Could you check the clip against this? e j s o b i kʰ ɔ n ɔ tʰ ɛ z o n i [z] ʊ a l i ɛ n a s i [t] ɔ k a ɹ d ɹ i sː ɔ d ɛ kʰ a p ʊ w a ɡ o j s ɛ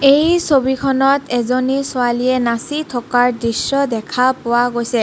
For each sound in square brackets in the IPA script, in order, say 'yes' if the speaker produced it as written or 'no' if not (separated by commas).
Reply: no, no